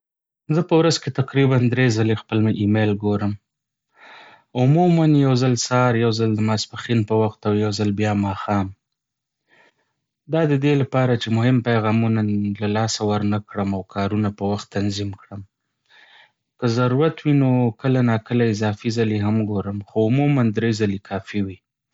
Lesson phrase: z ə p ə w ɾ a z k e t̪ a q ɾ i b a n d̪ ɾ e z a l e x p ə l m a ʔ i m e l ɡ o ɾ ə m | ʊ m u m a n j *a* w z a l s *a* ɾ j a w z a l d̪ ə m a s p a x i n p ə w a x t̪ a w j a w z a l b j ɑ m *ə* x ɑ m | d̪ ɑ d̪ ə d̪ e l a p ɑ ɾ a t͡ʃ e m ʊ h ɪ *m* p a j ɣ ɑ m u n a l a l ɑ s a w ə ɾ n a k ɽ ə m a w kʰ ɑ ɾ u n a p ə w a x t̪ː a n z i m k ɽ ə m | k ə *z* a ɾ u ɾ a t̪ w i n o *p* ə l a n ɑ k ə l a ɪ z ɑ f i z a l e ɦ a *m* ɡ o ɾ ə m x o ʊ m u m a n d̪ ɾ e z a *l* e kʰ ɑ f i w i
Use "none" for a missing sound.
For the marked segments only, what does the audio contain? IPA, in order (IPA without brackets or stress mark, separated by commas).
a, ɑ, ɑ, m, z, k, m, l